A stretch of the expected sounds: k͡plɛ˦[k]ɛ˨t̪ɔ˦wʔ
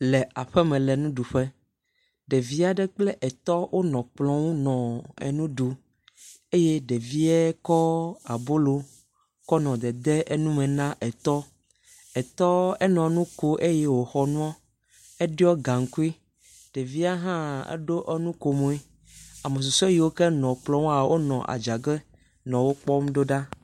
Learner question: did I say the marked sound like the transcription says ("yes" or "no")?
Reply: no